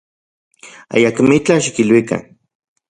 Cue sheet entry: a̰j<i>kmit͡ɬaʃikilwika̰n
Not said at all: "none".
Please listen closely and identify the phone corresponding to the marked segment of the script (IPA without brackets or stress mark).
a